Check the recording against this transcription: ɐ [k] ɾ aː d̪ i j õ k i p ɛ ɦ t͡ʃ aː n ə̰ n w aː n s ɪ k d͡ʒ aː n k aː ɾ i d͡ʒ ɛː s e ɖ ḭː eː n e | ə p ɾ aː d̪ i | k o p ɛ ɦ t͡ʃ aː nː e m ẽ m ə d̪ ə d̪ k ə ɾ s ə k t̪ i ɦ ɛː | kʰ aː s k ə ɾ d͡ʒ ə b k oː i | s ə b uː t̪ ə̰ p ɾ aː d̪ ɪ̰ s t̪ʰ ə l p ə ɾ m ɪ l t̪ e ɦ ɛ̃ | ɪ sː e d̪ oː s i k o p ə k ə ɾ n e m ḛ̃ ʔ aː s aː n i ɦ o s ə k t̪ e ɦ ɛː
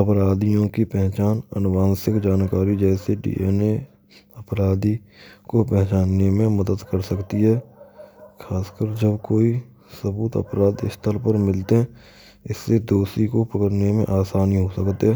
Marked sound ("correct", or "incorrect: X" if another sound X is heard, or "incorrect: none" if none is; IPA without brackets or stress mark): incorrect: p